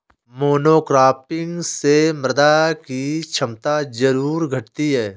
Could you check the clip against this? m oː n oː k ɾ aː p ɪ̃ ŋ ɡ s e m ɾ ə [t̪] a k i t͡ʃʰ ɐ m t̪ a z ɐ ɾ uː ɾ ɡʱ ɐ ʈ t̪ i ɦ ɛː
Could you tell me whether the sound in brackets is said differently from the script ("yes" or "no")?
yes